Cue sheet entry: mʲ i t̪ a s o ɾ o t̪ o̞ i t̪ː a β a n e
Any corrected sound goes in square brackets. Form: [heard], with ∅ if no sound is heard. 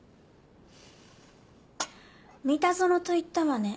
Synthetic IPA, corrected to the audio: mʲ i t̪ a [z] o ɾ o t̪ o̞ i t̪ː a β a n e